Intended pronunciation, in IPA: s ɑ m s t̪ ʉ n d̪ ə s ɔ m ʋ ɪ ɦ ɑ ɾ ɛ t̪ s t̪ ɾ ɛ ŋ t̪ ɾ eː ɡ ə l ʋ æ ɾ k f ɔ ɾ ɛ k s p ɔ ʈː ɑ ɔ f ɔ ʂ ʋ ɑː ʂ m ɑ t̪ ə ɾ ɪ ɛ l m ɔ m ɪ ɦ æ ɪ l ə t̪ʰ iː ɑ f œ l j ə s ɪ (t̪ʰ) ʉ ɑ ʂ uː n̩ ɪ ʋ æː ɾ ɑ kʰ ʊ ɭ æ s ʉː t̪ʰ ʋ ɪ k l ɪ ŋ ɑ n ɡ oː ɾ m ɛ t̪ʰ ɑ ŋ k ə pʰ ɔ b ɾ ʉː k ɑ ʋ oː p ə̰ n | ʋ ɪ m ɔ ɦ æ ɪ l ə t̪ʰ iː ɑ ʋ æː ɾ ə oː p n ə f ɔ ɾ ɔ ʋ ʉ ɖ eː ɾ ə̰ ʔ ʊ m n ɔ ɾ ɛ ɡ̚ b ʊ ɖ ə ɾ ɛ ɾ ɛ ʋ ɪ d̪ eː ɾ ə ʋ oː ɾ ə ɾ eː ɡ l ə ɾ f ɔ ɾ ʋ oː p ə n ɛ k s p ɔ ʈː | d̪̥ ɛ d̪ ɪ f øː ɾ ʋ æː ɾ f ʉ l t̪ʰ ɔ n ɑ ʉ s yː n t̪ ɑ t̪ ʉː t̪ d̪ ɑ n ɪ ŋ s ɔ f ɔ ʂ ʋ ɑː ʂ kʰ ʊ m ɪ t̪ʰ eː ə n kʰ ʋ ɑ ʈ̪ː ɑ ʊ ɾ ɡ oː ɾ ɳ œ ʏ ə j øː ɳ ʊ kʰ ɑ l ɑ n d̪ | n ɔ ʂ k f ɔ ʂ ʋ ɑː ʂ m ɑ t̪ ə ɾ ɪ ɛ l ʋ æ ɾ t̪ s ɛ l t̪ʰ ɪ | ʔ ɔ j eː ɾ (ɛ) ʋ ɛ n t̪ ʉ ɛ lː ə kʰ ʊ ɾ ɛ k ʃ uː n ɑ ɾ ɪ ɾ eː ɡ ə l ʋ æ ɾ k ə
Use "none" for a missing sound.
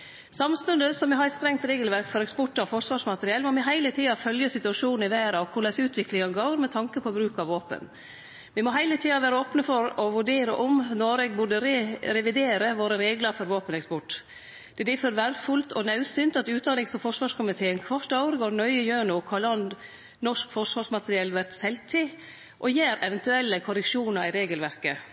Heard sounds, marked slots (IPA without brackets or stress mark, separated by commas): t̪, ɛ